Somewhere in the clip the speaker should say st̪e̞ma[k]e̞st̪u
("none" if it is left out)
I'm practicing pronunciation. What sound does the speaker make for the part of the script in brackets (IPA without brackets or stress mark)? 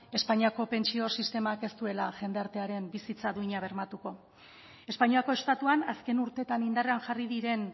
k